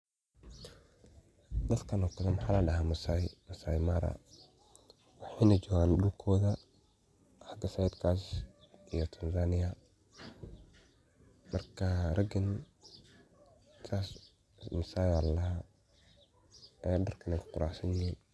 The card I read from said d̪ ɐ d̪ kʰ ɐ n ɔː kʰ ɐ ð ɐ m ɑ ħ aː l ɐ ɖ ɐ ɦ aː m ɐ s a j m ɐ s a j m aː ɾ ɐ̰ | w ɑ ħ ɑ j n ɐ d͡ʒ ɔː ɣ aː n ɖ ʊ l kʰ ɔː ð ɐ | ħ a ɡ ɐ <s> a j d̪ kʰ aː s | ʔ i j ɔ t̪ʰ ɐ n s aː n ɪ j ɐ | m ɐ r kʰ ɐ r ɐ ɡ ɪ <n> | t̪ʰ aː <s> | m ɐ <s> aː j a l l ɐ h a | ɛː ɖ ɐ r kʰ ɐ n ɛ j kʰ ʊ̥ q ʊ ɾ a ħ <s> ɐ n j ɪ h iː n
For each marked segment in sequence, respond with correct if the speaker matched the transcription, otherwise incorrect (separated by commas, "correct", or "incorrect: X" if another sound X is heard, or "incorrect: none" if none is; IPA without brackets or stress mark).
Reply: correct, correct, correct, correct, correct